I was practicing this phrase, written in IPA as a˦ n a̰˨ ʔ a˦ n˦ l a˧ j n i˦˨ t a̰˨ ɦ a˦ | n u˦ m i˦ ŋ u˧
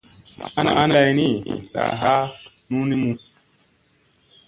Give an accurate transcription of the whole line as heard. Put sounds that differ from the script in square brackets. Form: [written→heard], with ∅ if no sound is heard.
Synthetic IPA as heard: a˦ n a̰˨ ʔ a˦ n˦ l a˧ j n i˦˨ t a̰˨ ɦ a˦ | n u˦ [m→n] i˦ [ŋ→m] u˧